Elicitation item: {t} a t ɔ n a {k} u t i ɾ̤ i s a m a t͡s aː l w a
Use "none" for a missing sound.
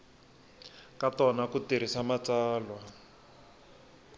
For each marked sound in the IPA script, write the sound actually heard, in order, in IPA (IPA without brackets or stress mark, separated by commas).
k, k